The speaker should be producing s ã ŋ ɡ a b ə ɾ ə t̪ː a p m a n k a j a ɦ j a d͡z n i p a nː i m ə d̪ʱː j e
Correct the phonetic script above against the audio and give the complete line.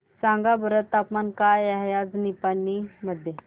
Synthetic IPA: s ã ŋ ɡ a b ə ɾ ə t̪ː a p m a n k a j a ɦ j a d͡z n i p a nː i m ə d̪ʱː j e